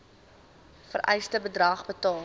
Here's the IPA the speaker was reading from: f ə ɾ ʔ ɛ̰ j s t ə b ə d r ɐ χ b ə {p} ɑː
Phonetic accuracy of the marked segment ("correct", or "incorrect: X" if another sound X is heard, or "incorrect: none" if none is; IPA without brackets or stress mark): incorrect: t